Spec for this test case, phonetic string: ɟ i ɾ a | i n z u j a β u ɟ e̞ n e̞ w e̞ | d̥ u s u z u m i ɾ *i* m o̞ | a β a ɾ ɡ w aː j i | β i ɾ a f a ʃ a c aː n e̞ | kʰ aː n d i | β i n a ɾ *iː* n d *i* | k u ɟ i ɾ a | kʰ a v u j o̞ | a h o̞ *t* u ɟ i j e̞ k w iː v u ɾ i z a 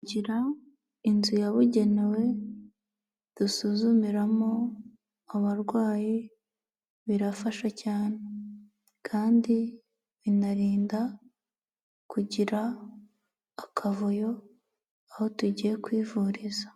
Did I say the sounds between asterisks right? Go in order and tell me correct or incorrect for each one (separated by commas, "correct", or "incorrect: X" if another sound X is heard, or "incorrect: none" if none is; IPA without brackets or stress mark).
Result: incorrect: a, correct, incorrect: a, correct